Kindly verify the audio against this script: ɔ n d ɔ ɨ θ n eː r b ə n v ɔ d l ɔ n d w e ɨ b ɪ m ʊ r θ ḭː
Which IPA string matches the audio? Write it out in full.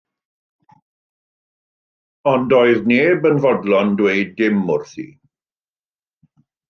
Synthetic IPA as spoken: ɔ n d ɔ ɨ ð n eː b ə n v ɔ d l ɔ n d w e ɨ d ɪ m ʊ r θ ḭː

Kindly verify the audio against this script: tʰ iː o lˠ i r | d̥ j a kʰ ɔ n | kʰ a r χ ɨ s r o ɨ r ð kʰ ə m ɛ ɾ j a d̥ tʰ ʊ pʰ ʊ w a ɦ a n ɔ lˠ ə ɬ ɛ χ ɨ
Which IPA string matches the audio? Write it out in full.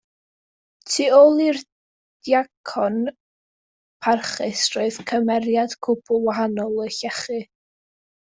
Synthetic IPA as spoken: tʰ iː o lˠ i r | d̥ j a kʰ ɔ n | pʰ a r χ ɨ s r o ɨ ð kʰ ə m ɛ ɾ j a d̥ kʰ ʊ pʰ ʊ w a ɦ a n ɔ lˠ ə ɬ ɛ χ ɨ

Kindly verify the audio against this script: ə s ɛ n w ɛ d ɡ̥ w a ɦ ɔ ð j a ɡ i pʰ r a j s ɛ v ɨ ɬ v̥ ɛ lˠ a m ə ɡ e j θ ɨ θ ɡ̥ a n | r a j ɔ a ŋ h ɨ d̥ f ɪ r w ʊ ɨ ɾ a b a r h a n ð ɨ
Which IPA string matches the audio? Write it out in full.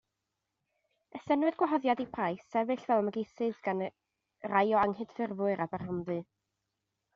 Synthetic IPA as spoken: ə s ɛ n w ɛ d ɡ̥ w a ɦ ɔ ð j a d i pʰ r a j s ɛ v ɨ ɬ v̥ ɛ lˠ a m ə ɡ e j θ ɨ ð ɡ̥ a n | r a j ɔ a ŋ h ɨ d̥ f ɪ r v ʊ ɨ ɾ a b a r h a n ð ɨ

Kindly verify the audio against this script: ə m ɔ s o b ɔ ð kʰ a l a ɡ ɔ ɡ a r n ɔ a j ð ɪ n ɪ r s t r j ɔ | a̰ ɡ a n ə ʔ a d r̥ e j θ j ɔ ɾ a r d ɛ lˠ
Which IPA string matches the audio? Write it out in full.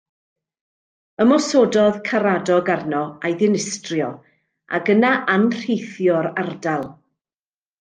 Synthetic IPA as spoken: ə m ɔ s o d ɔ ð kʰ a ɾ a d ɔ ɡ a r n ɔ a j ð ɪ n ɪ s t r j ɔ | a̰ ɡ ə n a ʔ a n r̥ e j θ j ɔ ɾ a r d a lˠ

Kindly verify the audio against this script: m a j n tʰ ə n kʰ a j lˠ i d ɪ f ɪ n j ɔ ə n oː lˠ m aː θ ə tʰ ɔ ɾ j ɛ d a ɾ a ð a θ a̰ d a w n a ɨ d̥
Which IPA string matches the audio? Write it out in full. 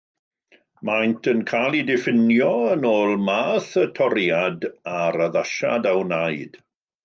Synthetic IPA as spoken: m a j n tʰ ə n kʰ a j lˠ i d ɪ f ɪ n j ɔ ə n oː lˠ m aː θ ə tʰ ɔ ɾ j a d a ɾ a ð a ʃ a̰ d a w n a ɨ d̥

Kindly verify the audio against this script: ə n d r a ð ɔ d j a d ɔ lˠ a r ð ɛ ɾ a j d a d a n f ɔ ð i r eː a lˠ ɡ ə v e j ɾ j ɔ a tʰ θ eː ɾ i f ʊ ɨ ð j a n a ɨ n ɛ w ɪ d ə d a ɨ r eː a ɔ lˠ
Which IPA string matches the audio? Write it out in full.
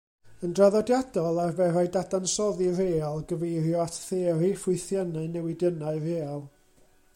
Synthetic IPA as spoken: ə n d r a ð ɔ d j a d ɔ lˠ a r v ɛ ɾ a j d a d a n s ɔ ð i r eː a lˠ ɡ ə v e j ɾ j ɔ a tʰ θ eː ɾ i f ʊ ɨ θ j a n a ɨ n ɛ w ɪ d ə n a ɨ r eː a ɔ lˠ

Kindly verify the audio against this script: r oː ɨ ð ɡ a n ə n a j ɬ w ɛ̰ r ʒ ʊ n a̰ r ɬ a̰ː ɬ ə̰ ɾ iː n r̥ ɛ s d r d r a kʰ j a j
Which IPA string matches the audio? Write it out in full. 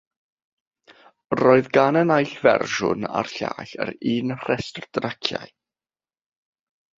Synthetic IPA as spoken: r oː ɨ ð ɡ a n ə n a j ɬ v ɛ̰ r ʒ ʊ n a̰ r ɬ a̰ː ɬ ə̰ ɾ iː n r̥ ɛ s t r d r a kʰ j a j

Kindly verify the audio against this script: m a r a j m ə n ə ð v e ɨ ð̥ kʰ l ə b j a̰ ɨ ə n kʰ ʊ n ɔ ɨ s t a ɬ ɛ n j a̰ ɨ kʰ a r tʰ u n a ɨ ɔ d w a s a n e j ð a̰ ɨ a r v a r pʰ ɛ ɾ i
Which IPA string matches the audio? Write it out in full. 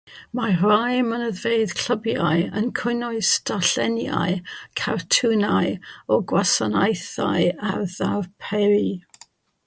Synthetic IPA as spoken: m a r a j m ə n ə ð v e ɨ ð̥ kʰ l ə b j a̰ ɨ ə n kʰ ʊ n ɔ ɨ s t a ɬ ɛ n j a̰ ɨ kʰ a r tʰ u n a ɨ ɔ ɡ w a s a n a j θ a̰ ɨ a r ð a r pʰ ɛ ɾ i

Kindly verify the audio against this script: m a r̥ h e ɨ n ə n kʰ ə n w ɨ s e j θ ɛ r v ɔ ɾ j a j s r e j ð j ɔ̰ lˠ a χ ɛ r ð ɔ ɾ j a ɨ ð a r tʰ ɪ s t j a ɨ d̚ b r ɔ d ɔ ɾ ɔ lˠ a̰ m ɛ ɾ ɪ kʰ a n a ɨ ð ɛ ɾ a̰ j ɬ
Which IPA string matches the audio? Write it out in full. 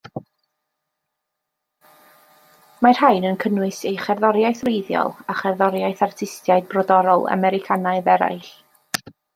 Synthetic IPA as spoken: m a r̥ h a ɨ n ə n kʰ ə n w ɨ s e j χ ɛ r ð ɔ ɾ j a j θ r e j ð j ɔ̰ lˠ a χ ɛ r ð ɔ ɾ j a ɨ θ a r tʰ ɪ s t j a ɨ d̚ b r ɔ d ɔ ɾ ɔ lˠ a̰ m ɛ ɾ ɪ kʰ a n a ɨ ð ɛ ɾ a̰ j ɬ

